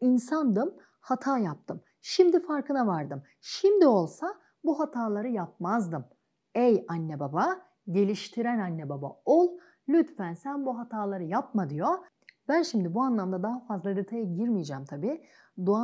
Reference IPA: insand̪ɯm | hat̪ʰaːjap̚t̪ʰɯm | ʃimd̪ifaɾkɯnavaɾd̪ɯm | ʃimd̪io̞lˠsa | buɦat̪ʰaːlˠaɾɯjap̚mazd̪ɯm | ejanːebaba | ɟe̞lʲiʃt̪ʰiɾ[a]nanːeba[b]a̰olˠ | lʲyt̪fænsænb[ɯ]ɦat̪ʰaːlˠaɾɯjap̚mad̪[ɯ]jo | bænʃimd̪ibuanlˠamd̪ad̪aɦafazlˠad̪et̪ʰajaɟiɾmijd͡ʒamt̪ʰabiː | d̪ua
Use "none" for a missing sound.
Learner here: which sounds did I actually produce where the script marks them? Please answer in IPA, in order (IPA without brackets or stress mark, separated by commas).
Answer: æ, b, u, ɯ